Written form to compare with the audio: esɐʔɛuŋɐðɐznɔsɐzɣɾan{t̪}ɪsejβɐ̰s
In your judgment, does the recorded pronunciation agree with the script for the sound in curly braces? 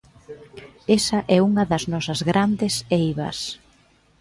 no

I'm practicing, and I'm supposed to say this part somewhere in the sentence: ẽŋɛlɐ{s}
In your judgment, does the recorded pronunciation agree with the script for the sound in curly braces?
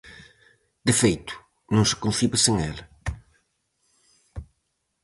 no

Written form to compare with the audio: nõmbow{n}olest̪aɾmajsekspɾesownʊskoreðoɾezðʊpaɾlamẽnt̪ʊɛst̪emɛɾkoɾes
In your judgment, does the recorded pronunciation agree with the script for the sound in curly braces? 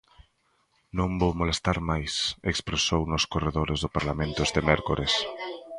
no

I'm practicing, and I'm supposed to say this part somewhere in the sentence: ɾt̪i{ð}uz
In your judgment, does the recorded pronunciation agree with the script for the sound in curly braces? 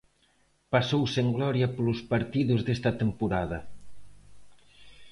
yes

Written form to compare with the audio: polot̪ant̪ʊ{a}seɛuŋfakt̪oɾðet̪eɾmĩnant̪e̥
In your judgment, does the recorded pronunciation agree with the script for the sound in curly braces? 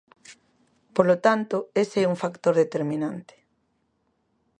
no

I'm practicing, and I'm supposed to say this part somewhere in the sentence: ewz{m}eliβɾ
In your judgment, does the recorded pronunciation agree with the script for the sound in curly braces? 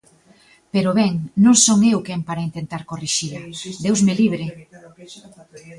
yes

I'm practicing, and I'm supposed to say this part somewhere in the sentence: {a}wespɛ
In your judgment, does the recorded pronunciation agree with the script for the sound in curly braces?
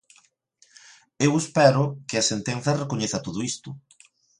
no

